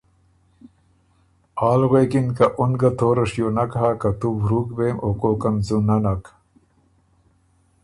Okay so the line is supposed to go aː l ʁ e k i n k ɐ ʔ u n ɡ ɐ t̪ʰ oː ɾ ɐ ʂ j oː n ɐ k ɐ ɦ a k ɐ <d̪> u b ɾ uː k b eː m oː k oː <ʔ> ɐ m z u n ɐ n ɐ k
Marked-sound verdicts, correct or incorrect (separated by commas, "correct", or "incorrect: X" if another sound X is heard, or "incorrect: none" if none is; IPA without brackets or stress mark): incorrect: t̪, incorrect: k